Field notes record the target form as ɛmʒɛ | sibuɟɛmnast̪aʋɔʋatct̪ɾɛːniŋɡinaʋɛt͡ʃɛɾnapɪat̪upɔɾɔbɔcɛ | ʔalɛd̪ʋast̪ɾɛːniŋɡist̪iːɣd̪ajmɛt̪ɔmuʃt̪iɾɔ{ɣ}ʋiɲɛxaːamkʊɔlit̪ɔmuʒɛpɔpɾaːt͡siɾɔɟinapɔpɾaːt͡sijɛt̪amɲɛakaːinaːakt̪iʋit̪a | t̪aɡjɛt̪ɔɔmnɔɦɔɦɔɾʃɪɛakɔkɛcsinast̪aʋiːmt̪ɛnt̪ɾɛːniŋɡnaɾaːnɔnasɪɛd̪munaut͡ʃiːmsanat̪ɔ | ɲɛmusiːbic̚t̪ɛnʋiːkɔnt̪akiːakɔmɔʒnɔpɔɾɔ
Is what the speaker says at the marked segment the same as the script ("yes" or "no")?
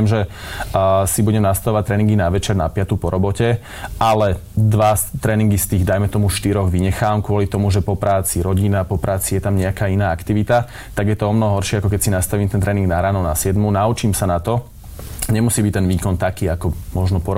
yes